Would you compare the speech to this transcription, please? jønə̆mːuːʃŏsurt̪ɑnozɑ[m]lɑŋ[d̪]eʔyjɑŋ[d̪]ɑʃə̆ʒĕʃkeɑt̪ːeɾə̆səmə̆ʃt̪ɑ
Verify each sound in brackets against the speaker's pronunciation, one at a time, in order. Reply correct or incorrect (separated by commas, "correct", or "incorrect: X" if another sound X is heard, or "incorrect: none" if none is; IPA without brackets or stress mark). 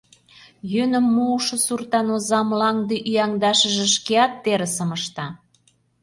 correct, correct, correct